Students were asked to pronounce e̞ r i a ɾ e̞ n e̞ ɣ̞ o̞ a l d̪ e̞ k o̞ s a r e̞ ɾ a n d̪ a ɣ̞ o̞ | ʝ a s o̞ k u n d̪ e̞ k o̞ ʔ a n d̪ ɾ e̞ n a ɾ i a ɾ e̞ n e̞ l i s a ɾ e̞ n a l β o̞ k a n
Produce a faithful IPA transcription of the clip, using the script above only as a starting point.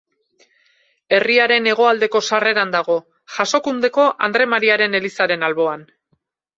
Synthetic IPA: e̞ r i a ɾ e̞ n e̞ ɣ̞ o̞ a l d̪ e̞ k o̞ s a r e̞ ɾ a n d̪ a ɣ̞ o̞ | ʝ a s o̞ k u n d̪ e̞ k o̞ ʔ a n d̪ ɾ e̞ m a ɾ i a ɾ e̞ n e̞ l i s a ɾ e̞ n a l β o̞ a n